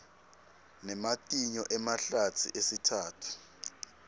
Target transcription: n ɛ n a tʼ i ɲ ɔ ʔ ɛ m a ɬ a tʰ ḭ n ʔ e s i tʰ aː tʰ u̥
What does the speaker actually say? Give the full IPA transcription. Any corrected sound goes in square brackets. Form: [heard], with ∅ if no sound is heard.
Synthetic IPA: n ɛ [m] a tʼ i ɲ ɔ ʔ ɛ m a ɬ a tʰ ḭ [∅] ʔ e s i tʰ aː tʰ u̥